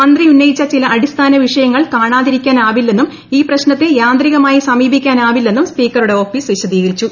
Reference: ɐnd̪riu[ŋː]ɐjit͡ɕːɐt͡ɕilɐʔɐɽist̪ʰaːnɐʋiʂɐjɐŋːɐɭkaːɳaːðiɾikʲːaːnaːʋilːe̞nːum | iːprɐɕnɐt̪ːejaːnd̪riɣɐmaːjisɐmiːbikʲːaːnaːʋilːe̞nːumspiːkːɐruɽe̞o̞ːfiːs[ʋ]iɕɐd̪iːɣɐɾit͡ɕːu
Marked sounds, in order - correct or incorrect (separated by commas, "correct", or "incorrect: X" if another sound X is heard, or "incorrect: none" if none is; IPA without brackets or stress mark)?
incorrect: nː, correct